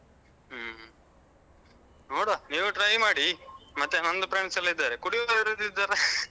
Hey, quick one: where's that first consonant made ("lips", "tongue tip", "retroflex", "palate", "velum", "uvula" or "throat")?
tongue tip